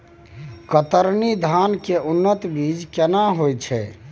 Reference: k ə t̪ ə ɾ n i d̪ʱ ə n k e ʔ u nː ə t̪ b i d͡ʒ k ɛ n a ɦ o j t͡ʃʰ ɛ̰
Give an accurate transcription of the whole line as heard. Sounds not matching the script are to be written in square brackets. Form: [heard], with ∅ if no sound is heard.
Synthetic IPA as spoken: k ə t̪ ə ɾ n i d̪ʱ [a] n k e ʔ u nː ə t̪ b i d͡ʒ k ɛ n a ɦ o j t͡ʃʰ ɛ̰